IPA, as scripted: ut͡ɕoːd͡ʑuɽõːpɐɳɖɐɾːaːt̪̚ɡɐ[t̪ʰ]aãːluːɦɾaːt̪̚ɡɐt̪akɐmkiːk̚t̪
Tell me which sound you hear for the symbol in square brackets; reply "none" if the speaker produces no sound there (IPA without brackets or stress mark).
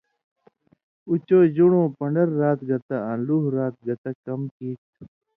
t̪